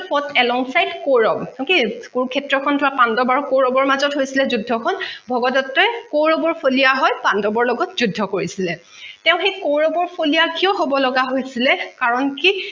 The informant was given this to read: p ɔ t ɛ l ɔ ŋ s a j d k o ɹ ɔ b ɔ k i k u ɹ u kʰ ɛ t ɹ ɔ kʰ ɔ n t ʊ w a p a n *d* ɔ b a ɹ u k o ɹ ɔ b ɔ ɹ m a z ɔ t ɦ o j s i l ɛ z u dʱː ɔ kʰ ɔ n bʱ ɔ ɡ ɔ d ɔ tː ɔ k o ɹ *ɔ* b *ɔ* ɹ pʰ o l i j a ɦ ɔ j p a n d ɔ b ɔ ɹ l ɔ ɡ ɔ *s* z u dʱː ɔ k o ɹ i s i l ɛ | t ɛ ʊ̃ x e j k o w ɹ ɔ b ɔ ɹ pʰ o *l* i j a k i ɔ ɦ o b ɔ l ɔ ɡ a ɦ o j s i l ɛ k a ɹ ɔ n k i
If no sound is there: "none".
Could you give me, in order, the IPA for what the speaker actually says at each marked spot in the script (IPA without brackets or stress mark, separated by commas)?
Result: d, ɔ, ɔ, t, l